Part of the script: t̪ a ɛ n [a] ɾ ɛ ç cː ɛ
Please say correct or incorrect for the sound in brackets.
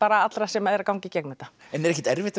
incorrect